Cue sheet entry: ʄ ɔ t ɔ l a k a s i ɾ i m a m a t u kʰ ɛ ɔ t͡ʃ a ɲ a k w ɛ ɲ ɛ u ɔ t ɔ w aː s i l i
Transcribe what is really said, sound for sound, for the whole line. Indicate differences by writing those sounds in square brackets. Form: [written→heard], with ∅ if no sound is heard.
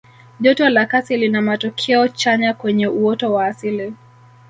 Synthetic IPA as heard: ʄ ɔ t ɔ l a k a s i [ɾ→l] i [m→n] a m a t [u→ɔ] kʰ ɛ ɔ t͡ʃ a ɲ a k w ɛ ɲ ɛ u ɔ t ɔ w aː s i l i